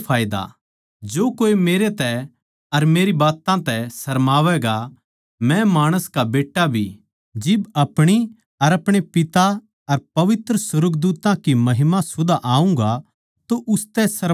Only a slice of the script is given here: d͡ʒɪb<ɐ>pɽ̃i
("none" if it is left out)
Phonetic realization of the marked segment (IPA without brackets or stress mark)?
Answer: ɐ